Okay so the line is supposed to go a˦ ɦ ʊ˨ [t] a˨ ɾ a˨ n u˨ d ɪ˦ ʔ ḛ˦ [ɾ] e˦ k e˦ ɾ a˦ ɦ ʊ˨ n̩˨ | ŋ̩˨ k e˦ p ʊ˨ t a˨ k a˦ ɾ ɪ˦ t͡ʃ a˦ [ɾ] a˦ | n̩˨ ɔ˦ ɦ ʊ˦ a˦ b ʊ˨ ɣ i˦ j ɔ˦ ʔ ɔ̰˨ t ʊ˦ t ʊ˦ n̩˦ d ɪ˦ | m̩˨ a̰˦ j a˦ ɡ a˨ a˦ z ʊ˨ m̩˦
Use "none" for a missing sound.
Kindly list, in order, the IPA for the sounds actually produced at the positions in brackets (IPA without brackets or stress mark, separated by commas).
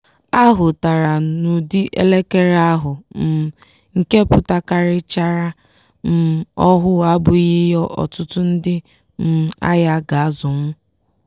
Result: t, l, ɾ